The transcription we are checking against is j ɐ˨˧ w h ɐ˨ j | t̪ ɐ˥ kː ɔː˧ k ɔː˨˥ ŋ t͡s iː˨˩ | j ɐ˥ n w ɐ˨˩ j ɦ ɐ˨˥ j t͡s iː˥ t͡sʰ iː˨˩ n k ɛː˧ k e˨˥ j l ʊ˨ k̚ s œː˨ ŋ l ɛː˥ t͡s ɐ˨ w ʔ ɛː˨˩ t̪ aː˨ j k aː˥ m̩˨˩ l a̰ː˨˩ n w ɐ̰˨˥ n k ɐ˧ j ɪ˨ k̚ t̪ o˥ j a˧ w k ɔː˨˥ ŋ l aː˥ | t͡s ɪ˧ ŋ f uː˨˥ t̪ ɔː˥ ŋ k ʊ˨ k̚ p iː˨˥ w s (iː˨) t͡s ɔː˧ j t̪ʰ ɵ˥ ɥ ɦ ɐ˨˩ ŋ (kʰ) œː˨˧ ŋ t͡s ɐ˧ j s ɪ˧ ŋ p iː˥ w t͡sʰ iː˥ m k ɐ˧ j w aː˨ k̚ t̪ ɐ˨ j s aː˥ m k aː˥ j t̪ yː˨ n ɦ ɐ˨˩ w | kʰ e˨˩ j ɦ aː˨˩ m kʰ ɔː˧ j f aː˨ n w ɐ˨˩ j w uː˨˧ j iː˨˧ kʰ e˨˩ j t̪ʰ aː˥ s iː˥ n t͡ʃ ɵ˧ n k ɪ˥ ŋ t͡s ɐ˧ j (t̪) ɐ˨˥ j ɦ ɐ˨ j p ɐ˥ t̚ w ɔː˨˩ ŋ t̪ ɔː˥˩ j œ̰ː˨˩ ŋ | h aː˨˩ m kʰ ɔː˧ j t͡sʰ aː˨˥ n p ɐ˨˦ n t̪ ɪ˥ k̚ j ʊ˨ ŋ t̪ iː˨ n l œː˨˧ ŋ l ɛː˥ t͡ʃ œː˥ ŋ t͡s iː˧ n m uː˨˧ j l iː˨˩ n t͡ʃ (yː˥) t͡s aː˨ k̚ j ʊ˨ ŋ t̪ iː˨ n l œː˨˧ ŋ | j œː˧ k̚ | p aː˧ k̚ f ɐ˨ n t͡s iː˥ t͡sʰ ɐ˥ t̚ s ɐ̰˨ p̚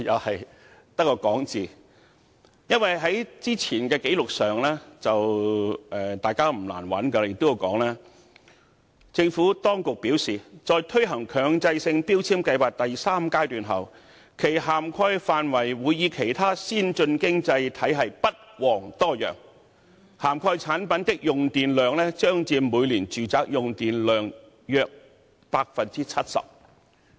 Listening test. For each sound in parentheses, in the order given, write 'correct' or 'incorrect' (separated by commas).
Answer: correct, correct, incorrect, incorrect